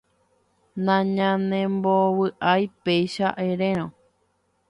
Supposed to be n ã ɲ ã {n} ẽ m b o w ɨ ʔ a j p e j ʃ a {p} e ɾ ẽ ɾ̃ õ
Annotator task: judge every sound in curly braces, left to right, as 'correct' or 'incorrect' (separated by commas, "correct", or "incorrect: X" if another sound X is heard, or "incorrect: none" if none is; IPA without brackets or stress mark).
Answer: correct, incorrect: ʔ